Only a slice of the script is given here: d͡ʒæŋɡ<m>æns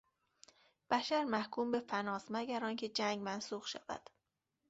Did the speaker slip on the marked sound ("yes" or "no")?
no